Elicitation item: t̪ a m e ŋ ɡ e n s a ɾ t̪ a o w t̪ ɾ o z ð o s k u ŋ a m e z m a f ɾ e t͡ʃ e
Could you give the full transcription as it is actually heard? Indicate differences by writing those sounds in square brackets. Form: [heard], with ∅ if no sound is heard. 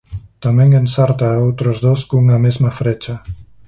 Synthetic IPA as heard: t̪ a m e ŋ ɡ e n s a ɾ t̪ a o w t̪ ɾ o z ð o s k u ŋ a m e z m a f ɾ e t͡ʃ [a]